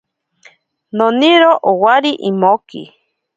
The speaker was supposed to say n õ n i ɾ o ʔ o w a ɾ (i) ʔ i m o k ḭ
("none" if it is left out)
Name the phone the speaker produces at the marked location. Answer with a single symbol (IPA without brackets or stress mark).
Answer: i